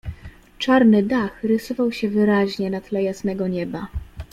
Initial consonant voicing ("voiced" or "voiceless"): voiceless